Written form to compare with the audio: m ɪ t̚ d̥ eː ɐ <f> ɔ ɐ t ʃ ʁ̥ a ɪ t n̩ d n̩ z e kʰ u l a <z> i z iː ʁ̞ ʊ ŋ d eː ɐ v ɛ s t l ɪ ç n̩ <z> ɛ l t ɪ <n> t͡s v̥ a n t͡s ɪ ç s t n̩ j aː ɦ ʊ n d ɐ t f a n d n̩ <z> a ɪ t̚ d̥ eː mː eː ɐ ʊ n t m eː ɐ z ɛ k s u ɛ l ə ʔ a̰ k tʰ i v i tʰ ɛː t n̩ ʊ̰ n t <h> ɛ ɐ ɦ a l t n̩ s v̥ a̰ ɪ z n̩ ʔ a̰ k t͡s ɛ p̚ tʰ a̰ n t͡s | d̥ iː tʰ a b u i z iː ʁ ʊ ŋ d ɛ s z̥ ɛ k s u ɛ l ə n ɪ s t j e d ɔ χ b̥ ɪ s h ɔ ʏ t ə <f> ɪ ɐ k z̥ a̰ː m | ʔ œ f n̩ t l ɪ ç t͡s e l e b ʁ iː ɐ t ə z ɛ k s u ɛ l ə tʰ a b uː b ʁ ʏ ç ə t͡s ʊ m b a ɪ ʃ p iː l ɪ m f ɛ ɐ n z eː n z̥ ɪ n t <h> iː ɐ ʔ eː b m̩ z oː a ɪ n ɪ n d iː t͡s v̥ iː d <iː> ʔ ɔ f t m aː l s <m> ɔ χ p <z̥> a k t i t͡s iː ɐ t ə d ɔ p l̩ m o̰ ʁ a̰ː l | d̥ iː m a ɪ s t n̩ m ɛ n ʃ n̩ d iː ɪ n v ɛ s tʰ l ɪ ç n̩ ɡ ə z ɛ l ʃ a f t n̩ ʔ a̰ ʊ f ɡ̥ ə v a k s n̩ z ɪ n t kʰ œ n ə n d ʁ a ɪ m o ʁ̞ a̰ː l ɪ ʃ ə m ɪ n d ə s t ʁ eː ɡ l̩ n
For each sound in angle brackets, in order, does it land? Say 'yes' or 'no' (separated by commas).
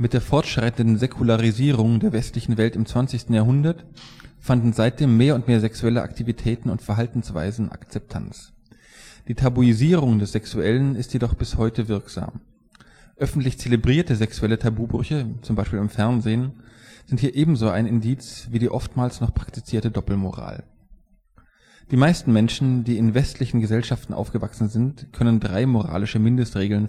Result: yes, no, no, no, yes, no, no, yes, yes, no, no